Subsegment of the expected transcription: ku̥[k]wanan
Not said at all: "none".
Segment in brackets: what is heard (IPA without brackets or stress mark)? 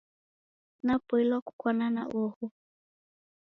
k